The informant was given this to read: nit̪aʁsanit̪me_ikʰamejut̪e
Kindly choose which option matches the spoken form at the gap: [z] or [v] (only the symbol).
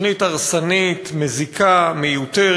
z